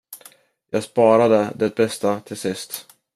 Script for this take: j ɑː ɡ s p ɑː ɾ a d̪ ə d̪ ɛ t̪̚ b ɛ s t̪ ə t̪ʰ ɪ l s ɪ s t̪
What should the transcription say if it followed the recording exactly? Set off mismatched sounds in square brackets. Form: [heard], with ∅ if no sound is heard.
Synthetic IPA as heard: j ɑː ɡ s p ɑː ɾ a d̪ ə d̪ ɛ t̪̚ b ɛ s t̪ [a] t̪ʰ ɪ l s ɪ s t̪